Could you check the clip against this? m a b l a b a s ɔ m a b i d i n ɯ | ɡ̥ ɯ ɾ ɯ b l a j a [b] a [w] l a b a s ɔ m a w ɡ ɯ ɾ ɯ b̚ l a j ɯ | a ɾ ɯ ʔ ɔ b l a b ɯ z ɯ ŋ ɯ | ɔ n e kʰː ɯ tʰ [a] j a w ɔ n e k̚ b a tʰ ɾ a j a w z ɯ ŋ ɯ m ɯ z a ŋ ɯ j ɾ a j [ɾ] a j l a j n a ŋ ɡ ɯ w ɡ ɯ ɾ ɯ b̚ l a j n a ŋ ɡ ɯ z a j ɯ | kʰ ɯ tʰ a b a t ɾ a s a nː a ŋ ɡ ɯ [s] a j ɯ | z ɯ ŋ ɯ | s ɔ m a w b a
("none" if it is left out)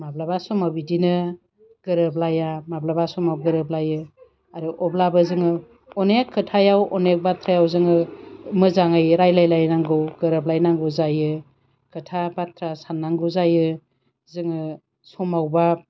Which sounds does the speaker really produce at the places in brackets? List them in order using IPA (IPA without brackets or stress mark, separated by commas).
m, b, a, l, z